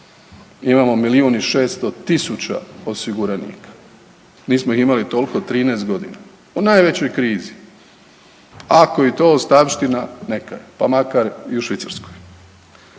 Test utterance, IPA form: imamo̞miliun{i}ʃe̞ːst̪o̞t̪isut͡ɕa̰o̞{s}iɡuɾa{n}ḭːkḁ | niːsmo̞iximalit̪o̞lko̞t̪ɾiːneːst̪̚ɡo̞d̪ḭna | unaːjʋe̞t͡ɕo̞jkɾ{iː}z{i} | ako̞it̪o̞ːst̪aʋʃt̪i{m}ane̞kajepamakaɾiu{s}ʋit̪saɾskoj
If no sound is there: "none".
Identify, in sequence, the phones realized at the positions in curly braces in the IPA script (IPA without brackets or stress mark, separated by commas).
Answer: i, s, n, iː, i, n, ʃ